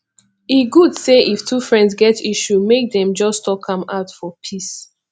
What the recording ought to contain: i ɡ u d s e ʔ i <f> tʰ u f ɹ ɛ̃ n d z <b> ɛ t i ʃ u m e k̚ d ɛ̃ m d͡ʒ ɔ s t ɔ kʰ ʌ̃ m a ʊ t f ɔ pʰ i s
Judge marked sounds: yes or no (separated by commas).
yes, no